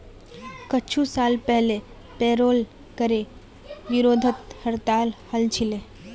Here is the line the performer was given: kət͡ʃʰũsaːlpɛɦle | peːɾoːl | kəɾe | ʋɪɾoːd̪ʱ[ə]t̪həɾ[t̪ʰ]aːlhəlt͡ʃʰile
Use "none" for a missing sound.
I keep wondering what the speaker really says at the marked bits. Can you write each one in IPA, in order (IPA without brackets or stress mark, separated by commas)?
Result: ə, t̪